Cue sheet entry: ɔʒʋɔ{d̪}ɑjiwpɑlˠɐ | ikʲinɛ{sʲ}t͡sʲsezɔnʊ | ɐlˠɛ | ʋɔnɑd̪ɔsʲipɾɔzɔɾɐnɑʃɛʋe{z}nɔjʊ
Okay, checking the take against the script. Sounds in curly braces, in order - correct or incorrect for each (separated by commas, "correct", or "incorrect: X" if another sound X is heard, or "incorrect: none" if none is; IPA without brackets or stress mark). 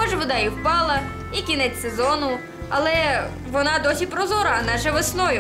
correct, incorrect: none, incorrect: s